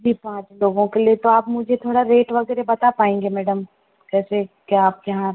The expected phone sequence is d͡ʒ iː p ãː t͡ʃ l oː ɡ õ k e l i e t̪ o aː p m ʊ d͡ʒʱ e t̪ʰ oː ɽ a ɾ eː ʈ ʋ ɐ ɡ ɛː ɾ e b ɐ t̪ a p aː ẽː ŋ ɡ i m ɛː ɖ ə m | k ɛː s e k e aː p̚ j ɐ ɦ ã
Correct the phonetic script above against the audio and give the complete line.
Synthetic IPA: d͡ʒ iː p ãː t͡ʃ l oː ɡ õ k e l i e t̪ o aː p m ʊ d͡ʒʱ e t̪ʰ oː ɽ a ɾ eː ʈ ʋ ɐ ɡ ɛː ɾ e b ɐ t̪ a p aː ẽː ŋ ɡ e m ɛː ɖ ə m | k ɛː s e k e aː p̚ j ɐ ɦ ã